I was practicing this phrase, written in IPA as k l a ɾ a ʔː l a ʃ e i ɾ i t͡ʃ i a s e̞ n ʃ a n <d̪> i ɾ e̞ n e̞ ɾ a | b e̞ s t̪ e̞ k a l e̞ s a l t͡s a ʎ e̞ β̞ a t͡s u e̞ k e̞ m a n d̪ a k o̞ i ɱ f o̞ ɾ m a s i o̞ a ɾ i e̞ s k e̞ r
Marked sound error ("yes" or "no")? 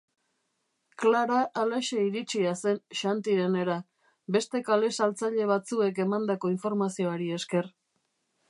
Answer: yes